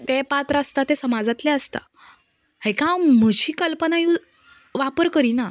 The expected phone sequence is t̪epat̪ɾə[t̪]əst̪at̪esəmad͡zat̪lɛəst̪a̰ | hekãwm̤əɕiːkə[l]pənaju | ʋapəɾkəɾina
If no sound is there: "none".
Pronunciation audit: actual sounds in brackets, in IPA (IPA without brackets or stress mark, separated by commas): none, l